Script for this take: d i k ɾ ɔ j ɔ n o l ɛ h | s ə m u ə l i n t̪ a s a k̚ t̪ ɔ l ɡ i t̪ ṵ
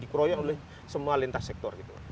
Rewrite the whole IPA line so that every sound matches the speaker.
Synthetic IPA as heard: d i k ɾ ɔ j ɔ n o l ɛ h | s ə m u a l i n t̪ a s ɛ k̚ t̪ ɔ r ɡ i t̪ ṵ

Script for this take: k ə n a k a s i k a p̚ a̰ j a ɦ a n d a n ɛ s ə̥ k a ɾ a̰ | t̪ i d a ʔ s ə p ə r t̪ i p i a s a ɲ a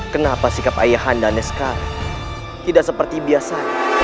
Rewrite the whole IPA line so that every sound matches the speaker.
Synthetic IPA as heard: k ə n a p a s i k a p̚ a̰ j a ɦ a n d a n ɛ s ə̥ k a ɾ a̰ | t̪ i d a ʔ s ə p ə r t̪ i b i a s a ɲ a

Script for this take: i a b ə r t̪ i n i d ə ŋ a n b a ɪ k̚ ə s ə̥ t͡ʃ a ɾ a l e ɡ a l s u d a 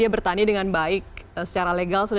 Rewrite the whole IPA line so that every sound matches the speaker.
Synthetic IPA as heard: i a b ə r t̪ a n i d ə ŋ a n b a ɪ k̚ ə s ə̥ t͡ʃ a ɾ a l e ɡ a l s u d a

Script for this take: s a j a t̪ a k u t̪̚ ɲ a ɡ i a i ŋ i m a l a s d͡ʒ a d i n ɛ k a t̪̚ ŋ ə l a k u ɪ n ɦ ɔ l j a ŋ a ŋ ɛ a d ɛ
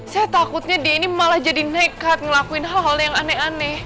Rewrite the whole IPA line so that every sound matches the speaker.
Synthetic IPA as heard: s a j a t̪ a k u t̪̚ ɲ a d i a i n i m a l a h d͡ʒ a d i n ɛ k a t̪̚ ŋ ə l a k u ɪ n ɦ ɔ l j a ŋ a n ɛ a n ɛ

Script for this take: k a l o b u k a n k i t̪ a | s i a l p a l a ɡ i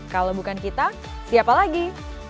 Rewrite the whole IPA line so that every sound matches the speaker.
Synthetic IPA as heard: k a l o b u k a n k i t̪ a | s i a p a l a ɡ i

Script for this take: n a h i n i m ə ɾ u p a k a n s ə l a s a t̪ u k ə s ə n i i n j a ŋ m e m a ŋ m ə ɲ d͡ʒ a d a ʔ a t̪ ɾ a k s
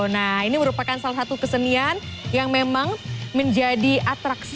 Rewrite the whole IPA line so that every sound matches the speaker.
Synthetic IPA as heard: n a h i n i m ə ɾ u p a k a n s a l a s a t̪ u k ə s ə n i a n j a ŋ m e m a ŋ m ə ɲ d͡ʒ a d i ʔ a t̪ ɾ a k s

